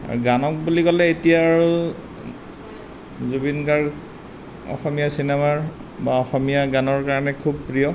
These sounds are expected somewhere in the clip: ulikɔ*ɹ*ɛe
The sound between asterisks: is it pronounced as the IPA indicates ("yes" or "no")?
no